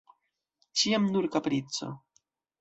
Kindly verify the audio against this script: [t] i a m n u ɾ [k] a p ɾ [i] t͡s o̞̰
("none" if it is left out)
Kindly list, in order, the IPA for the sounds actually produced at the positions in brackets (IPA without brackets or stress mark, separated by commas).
t͡ʃ, k, i